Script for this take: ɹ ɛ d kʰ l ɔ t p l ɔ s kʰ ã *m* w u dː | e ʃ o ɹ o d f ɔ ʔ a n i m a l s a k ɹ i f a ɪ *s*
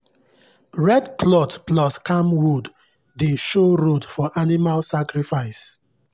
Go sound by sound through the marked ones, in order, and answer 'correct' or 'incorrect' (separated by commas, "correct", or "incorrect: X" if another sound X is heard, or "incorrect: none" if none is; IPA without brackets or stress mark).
correct, correct